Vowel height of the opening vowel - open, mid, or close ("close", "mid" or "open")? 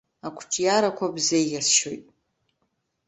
open